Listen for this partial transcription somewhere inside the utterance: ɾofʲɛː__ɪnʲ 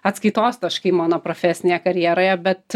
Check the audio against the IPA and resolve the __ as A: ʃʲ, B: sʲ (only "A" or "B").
B